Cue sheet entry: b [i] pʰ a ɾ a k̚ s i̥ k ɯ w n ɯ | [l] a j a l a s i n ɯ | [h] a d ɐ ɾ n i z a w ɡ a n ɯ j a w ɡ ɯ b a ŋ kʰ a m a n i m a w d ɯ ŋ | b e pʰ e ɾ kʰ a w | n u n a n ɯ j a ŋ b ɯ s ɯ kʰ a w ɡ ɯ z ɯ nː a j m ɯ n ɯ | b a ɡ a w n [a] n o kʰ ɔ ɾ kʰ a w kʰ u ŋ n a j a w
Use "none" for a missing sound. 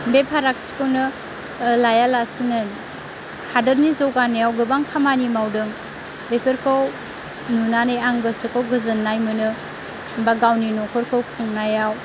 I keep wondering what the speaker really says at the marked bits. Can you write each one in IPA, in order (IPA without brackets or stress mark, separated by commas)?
e, l, h, i